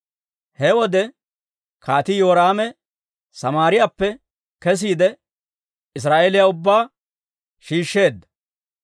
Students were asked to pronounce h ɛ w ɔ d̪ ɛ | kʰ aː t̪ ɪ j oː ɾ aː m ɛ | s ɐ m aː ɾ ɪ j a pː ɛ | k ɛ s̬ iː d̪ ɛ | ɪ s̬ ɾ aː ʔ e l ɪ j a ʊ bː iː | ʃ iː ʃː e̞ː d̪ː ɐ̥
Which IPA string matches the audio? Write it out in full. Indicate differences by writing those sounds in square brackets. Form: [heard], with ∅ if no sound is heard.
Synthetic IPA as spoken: h ɛ w ɔ d̪ ɛ | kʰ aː t̪ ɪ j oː ɾ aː m ɛ | s ɐ m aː ɾ ɪ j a pː ɛ | k ɛ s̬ iː d̪ ɛ | ɪ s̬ ɾ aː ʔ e l ɪ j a ʊ bː [aː] | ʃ iː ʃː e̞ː d̪ː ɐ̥